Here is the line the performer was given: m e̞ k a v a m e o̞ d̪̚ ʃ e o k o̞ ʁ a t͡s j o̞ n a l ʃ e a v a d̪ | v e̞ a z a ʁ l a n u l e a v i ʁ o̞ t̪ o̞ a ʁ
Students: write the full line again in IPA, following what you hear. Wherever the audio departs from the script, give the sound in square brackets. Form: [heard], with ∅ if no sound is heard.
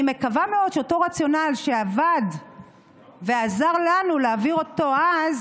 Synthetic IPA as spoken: m e̞ k a v a m e o̞ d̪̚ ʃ e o [t] o̞ ʁ a t͡s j o̞ n a l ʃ e a v a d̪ | v e̞ a z a ʁ l a n u l e a v i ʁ o̞ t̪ o̞ a [z]